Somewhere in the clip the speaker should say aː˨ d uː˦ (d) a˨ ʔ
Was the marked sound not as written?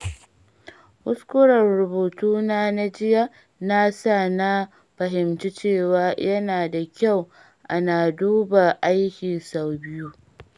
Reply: yes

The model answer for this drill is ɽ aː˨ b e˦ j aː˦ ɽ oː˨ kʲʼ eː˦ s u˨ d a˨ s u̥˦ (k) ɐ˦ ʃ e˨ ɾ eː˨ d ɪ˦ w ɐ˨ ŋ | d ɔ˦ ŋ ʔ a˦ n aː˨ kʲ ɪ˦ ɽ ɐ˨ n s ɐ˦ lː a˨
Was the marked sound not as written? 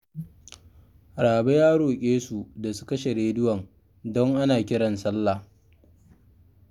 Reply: no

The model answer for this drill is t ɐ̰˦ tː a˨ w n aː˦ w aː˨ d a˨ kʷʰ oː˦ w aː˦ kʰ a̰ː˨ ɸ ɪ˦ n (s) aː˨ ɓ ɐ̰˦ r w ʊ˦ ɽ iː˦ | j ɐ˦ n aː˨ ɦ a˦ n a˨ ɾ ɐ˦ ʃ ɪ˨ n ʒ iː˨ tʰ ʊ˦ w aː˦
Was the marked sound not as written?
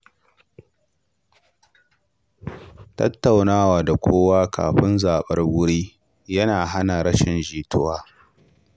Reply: yes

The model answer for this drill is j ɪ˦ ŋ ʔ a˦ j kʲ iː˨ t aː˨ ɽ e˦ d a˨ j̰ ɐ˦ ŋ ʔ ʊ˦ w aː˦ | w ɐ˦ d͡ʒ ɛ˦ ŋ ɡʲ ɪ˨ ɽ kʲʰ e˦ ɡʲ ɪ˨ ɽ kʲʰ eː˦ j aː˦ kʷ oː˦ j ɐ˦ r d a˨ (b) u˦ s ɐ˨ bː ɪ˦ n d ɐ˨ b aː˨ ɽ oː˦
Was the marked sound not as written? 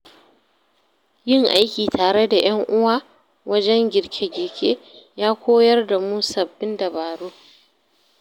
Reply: yes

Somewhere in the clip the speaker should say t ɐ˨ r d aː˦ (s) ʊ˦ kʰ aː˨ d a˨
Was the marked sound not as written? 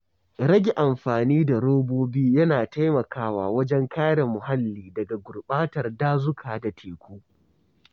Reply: yes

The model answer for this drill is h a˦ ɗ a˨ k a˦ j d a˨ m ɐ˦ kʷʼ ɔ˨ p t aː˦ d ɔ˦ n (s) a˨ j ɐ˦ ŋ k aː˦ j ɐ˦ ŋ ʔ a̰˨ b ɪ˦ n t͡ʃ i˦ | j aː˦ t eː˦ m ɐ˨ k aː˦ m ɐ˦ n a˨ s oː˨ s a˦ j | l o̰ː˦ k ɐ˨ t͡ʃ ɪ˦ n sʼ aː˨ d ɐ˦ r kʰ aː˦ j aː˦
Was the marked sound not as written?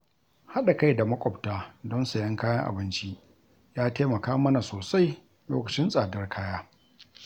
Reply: no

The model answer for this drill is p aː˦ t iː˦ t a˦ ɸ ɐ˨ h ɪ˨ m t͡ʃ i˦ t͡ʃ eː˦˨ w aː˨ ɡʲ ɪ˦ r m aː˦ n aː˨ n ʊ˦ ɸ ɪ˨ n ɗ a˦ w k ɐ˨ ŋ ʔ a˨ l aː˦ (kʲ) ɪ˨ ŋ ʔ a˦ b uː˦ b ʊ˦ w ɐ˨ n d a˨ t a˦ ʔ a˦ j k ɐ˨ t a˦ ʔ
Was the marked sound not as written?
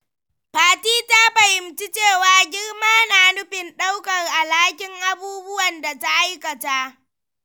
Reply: no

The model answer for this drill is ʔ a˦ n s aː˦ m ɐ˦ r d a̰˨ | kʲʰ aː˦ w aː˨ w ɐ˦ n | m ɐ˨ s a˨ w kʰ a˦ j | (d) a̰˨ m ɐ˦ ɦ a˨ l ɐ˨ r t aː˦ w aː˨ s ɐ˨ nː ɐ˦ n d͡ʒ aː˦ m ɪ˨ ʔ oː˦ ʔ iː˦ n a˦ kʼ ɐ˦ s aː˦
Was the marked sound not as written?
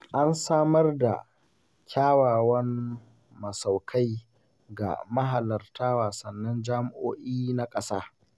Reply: yes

